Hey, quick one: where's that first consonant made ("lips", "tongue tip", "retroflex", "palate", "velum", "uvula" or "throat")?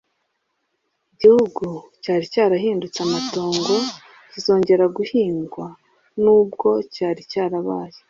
palate